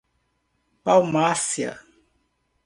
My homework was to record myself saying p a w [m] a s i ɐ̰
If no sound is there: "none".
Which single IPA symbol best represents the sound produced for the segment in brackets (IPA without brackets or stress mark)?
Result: m